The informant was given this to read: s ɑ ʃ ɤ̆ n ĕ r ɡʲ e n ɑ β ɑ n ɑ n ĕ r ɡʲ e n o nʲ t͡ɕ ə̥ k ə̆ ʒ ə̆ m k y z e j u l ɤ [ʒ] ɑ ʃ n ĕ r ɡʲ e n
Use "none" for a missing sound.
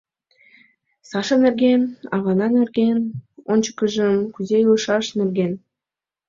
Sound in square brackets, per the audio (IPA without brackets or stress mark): ʃ